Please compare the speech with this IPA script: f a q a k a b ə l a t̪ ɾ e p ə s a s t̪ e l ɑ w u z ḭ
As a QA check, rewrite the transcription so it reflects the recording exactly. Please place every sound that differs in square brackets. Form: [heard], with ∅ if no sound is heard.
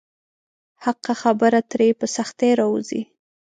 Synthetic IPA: [h] a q a [x] a b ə [ɾ] a t̪ ɾ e p ə s a [x] t̪ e [ɾ] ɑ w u z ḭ